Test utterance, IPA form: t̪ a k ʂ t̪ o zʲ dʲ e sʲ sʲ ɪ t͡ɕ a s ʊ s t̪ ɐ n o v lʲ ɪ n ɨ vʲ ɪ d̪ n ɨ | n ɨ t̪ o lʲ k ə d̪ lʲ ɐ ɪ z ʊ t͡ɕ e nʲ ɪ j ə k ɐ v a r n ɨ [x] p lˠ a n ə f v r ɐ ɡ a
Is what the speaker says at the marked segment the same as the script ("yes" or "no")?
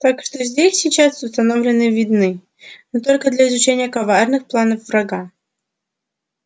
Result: yes